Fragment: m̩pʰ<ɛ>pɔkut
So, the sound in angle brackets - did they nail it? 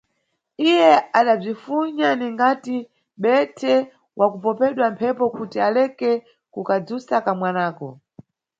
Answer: yes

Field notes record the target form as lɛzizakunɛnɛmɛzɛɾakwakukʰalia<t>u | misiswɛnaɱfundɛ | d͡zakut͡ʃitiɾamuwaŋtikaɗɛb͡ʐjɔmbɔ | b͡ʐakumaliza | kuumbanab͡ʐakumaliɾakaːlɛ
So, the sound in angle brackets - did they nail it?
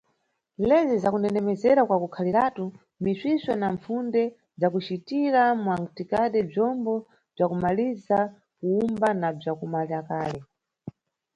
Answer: yes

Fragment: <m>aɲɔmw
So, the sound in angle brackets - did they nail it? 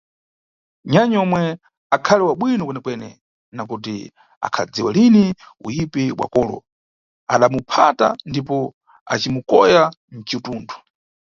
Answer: no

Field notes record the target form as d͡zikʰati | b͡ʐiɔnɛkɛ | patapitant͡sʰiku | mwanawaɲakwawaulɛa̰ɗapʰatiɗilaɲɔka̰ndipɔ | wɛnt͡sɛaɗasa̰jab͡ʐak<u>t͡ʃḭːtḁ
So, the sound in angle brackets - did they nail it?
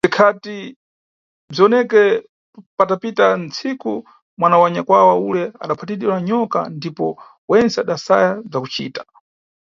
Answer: yes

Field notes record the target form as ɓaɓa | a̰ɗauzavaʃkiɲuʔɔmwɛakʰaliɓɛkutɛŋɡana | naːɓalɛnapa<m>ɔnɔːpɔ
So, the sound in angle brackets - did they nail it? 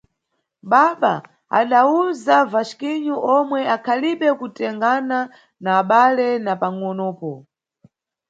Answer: no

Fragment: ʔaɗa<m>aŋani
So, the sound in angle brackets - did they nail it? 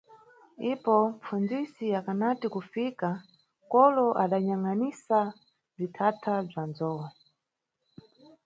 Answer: no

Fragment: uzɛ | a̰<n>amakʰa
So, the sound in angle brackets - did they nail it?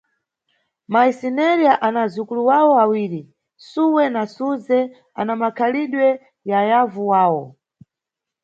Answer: yes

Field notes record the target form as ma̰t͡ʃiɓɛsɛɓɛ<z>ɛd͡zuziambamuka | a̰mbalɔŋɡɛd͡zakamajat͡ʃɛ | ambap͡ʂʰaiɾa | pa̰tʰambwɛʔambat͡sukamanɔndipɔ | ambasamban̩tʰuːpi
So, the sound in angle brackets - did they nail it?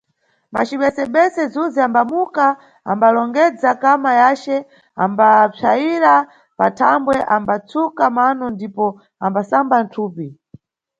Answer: no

